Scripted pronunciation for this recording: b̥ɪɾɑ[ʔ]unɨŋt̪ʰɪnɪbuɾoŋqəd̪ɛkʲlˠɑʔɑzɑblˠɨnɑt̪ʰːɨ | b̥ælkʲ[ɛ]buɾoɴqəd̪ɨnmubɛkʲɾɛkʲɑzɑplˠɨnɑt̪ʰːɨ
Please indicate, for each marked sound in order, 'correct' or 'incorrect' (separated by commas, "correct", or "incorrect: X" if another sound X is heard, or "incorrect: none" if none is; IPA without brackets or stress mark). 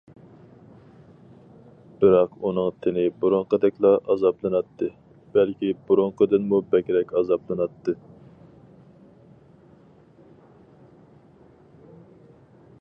incorrect: q, incorrect: i